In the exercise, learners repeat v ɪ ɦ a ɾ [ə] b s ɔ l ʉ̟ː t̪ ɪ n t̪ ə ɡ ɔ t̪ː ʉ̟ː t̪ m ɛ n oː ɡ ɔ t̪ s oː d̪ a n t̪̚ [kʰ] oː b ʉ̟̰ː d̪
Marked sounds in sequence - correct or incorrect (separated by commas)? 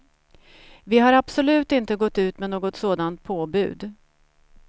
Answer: incorrect, incorrect